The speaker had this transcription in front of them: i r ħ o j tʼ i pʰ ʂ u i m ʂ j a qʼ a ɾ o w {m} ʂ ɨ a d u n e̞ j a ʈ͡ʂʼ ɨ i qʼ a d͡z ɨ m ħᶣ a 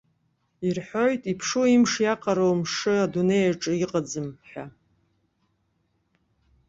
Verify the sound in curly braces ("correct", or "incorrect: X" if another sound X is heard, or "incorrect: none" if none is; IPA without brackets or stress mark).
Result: correct